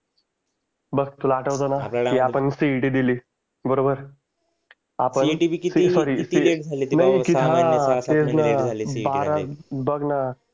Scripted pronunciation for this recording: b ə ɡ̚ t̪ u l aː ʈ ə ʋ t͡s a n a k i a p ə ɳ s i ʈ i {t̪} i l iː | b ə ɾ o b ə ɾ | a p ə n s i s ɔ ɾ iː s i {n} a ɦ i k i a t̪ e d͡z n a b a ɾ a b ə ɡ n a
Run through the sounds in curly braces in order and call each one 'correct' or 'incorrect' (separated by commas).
incorrect, correct